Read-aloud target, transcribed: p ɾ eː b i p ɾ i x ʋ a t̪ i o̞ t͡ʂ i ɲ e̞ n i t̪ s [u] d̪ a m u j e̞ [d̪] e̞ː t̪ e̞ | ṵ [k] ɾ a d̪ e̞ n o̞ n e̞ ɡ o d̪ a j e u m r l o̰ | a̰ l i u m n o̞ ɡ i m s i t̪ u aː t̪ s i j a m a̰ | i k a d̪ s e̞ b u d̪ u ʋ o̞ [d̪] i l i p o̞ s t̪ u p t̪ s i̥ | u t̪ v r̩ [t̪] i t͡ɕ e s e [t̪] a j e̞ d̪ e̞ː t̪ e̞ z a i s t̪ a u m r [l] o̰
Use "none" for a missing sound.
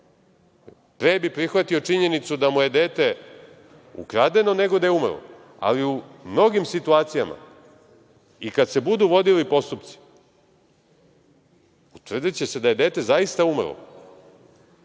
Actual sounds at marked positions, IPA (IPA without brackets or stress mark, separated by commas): u, d̪, k, d̪, d̪, d̪, l